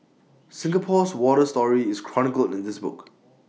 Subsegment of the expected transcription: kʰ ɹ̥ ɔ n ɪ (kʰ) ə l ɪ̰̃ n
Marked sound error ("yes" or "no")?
yes